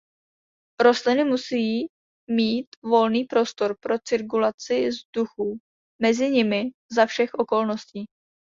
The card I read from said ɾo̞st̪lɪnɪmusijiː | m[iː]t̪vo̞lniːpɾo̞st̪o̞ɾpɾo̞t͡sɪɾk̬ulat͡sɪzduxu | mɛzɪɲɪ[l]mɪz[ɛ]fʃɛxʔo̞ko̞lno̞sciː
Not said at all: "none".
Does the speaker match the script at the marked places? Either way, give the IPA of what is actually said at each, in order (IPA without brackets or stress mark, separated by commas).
iː, none, a